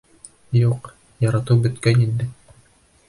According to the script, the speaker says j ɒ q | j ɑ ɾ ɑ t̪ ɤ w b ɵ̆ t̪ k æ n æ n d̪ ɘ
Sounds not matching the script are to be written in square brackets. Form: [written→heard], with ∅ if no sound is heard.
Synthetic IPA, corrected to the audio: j [ɒ→u] q | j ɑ ɾ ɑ t̪ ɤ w b ɵ̆ t̪ k æ n [æ→i] n d̪ ɘ